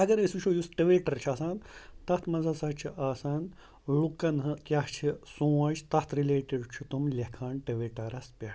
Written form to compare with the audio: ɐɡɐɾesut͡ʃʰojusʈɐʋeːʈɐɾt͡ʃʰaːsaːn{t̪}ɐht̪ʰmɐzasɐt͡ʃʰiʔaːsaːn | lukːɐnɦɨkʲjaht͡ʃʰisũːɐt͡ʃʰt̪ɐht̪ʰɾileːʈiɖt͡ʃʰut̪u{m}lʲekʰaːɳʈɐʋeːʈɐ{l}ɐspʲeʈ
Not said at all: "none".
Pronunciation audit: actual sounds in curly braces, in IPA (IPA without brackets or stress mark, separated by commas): t̪, m, ɾ